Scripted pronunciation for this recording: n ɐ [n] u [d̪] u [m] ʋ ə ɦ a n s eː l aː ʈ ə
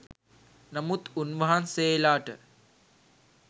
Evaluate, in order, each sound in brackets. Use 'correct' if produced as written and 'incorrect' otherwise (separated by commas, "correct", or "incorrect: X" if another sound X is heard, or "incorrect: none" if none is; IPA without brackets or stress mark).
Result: incorrect: m, incorrect: t̪, incorrect: n